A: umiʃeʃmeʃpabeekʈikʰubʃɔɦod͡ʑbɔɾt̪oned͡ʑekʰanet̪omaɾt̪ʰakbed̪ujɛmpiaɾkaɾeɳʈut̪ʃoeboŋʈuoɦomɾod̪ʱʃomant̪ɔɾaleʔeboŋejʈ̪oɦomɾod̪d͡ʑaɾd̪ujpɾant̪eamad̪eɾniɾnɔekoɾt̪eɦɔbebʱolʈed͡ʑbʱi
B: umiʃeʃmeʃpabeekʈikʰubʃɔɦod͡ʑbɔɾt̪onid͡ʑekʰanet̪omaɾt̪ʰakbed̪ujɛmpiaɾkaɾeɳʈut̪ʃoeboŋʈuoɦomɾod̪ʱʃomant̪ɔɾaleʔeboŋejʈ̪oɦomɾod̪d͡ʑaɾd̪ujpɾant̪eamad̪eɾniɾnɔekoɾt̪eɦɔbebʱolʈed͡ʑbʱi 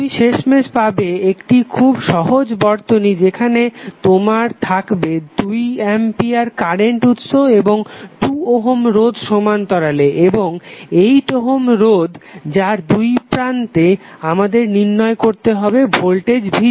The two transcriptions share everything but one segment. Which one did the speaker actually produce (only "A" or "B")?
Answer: B